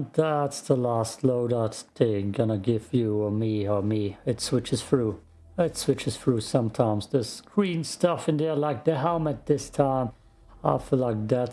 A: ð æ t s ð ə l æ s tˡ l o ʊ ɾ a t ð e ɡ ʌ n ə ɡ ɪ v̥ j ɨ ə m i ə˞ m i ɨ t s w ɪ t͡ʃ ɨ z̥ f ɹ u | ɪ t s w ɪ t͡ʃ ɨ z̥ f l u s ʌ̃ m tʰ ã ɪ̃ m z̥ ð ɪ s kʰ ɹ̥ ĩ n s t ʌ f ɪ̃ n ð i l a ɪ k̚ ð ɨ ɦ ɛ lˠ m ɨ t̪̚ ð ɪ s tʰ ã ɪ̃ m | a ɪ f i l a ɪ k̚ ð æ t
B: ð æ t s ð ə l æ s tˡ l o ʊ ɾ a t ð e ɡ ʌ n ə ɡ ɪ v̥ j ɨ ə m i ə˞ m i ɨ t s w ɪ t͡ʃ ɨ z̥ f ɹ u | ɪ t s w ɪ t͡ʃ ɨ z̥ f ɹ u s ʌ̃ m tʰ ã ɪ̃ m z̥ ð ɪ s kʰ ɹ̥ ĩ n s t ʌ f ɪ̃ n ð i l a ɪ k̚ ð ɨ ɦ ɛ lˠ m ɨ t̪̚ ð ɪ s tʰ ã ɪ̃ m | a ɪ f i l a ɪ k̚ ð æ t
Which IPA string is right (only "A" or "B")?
B